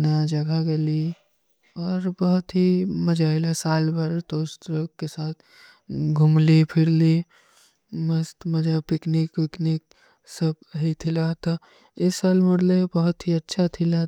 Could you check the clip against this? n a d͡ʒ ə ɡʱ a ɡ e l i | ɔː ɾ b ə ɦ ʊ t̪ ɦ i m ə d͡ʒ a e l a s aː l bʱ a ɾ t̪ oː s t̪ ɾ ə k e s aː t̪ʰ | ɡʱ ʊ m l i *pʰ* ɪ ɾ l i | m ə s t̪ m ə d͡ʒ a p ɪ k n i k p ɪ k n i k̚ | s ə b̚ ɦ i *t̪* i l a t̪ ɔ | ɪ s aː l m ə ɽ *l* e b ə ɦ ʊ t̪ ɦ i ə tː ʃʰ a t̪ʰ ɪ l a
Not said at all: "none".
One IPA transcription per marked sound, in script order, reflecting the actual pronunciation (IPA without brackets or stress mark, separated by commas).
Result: pʰ, t̪ʰ, l